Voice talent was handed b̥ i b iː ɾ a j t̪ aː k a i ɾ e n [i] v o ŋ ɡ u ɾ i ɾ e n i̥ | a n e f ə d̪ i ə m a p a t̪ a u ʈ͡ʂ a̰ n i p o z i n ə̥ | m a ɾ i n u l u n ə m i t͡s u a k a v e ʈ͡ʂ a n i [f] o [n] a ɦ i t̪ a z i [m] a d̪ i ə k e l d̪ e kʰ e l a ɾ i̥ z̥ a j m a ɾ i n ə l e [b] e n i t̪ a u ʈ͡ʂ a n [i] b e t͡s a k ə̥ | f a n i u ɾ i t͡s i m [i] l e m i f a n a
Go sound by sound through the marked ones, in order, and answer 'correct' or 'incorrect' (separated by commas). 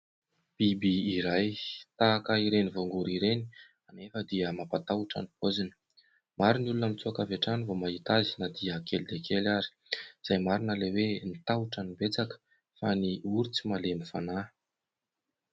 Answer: correct, incorrect, incorrect, incorrect, incorrect, correct, incorrect